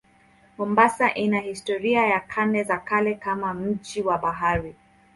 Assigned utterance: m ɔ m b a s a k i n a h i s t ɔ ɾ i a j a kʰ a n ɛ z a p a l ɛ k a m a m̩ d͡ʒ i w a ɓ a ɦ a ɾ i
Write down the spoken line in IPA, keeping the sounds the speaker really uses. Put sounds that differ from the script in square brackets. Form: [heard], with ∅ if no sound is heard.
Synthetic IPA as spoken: m ɔ m b a s a [ʔ] i n a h i s t ɔ ɾ i a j a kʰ a n ɛ z a [k] a l ɛ k a m a m̩ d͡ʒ i w a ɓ a ɦ a ɾ i